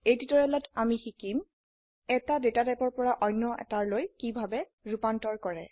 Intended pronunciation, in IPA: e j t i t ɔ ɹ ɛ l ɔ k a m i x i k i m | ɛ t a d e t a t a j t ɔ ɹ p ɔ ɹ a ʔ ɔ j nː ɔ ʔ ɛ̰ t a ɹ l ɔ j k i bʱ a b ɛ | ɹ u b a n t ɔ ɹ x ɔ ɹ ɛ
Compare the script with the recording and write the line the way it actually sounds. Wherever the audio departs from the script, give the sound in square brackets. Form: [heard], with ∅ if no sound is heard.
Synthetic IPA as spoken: e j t i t ɔ ɹ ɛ l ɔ [t] a m i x i k i m | ɛ t a d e t a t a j [p] ɔ ɹ p ɔ ɹ a ʔ ɔ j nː ɔ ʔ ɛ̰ t a ɹ l [o] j k i bʱ a b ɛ | ɹ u [p] a n t ɔ ɹ [k] ɔ ɹ ɛ

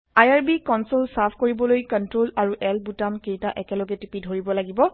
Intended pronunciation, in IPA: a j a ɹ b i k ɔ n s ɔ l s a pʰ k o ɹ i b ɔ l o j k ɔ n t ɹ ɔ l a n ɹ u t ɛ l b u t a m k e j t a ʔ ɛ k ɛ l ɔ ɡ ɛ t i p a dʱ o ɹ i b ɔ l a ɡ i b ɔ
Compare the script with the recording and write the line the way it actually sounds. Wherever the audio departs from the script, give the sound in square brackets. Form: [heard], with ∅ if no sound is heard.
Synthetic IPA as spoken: a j a ɹ b i k ɔ n s [o] l s a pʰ k o ɹ i b ɔ l o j k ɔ n t ɹ [o] l a [∅] ɹ u [ʔ] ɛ l b u t a m k e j t a ʔ ɛ k ɛ l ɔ ɡ ɛ t i p [i] dʱ o ɹ i b ɔ l a ɡ i b ɔ

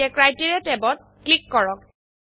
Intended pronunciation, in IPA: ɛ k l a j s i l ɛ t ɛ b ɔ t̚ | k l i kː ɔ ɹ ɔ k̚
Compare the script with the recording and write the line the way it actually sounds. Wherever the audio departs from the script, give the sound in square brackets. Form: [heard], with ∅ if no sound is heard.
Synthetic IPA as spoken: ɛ k [ɹ] a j [t] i [ɹ] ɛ t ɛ b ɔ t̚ | k l i kː ɔ ɹ ɔ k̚

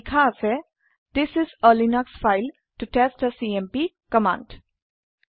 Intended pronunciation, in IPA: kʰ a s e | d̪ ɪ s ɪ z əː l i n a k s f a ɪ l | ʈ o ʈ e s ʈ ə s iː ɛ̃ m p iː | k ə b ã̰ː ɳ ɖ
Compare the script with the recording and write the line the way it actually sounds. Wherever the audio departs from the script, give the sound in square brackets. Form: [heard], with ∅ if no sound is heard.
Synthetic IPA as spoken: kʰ a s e | d̪ ɪ s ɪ z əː l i n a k s f a ɪ l | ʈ [u] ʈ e s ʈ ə s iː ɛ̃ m p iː | k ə [m] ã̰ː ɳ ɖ

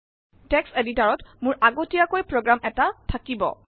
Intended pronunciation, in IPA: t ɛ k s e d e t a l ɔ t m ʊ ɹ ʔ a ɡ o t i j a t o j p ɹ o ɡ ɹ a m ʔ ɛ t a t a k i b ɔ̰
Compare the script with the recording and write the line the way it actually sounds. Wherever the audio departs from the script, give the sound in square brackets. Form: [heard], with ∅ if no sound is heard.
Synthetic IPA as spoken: t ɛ k s e d [i] t a [ɹ] ɔ t m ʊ ɹ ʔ a ɡ o t i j a [k] o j p ɹ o ɡ ɹ a m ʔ ɛ t a [tʰ] a k i b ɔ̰

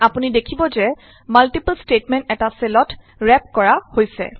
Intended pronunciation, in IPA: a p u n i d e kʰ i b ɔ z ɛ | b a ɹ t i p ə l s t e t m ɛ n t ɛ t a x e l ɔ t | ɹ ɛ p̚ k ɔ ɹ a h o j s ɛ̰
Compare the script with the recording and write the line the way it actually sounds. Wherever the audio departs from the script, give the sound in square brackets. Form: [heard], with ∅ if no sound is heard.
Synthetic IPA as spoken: a p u n i d e kʰ i b ɔ z ɛ | [m] a [l] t i p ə l s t e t m ɛ n t ɛ t a [s] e l ɔ t | ɹ ɛ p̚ k ɔ ɹ a h o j s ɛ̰

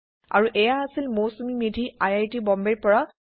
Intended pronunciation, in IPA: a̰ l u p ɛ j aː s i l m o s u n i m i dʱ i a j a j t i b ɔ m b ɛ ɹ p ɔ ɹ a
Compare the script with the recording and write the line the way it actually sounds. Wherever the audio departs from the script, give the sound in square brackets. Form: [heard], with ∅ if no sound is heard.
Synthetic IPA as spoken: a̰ [ɹ] u [ʔ] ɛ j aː s i l m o s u [m] i m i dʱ i a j a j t i b ɔ m b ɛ ɹ p ɔ ɹ a

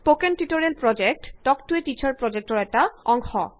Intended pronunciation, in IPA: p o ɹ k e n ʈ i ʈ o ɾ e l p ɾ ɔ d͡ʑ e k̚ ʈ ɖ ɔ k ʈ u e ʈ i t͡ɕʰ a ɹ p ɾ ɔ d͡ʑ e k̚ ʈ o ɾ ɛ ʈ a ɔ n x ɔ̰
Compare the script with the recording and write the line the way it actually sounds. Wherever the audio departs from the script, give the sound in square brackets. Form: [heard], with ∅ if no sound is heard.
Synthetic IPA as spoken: p o [∅] k e n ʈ i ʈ o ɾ e l p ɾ ɔ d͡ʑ e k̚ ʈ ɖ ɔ k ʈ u e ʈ i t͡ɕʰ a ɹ p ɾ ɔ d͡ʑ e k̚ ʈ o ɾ ɛ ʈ a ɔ [ŋ] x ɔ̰

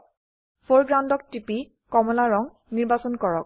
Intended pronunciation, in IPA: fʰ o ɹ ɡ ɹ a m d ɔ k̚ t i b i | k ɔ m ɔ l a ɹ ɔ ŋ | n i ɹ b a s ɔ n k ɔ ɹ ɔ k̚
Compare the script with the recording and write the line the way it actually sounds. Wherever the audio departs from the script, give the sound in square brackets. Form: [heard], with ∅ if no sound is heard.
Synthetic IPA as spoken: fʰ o ɹ ɡ ɹ a [n] d ɔ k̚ t i [p] i | k ɔ m ɔ l a ɹ ɔ ŋ | n i ɹ b a s ɔ n k ɔ ɹ ɔ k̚

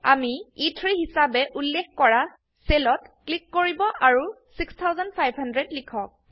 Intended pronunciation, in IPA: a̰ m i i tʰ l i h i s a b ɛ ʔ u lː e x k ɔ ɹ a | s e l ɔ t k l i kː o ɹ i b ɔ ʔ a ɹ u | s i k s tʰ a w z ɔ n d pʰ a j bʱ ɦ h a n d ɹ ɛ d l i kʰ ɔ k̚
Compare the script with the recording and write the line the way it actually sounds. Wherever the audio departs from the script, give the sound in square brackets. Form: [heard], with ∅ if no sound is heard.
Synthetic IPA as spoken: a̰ m i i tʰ [ɹ] i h i s a b ɛ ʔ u lː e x k ɔ ɹ a | s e l ɔ t k l i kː o ɹ i b ɔ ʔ a ɹ u | s i k s tʰ a w z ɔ n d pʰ a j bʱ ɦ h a n d ɹ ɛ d l i kʰ ɔ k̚

